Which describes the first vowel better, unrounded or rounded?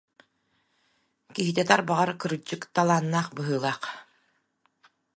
unrounded